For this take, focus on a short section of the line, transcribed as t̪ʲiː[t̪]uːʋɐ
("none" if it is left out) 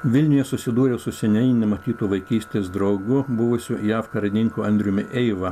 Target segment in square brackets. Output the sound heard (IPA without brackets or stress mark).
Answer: t̪